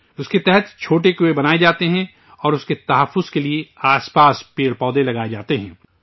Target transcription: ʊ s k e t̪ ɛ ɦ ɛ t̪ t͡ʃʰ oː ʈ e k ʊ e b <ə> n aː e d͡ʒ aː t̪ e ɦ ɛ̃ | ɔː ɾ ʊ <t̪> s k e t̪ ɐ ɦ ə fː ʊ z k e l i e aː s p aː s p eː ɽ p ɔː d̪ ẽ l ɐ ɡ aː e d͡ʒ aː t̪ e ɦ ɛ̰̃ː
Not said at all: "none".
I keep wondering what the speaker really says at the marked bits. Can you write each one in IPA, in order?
ɐ, none

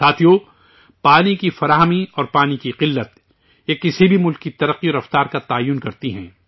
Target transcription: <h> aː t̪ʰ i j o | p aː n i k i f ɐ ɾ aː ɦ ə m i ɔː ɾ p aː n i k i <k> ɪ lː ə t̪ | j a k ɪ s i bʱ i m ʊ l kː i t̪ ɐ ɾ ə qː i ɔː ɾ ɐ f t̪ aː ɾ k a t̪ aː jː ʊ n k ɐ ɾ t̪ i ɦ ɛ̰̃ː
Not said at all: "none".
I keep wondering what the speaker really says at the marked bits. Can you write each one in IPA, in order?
s, q

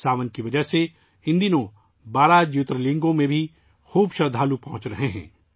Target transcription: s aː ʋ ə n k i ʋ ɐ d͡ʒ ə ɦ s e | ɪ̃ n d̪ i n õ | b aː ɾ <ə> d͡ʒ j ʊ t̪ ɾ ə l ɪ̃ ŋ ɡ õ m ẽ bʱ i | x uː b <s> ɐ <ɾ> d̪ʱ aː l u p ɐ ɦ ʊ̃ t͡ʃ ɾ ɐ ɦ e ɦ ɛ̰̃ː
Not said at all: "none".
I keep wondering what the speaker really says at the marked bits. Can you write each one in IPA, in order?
a, ʃ, ɾ

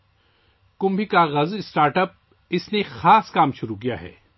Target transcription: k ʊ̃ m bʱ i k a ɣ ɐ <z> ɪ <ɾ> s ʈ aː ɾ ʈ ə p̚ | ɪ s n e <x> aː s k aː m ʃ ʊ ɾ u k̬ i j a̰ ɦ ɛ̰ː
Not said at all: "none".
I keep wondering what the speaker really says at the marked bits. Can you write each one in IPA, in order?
z, none, x

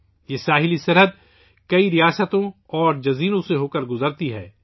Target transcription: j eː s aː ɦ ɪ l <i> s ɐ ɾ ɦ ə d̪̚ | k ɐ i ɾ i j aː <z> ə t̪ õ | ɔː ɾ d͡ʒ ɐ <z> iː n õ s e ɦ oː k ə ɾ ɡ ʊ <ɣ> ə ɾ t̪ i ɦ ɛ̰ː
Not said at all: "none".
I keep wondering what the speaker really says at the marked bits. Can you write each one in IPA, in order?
i, s, z, z

